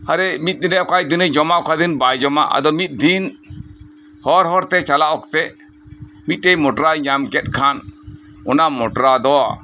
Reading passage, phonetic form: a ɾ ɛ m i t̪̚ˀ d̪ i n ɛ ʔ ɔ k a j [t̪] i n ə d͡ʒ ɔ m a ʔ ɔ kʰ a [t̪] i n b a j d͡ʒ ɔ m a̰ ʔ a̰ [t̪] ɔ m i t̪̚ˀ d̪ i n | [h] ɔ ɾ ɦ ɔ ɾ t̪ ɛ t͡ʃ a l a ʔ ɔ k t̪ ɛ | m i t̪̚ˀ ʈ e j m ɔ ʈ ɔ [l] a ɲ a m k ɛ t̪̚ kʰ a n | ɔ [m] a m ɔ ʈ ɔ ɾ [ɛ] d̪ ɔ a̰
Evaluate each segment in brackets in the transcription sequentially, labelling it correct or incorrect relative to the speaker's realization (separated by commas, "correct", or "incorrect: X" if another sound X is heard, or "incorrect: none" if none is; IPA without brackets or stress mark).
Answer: incorrect: d̪, incorrect: d̪, incorrect: d̪, correct, incorrect: ɾ, incorrect: n, incorrect: a